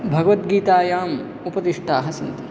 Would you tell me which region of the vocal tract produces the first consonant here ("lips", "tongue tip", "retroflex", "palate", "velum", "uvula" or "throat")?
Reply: lips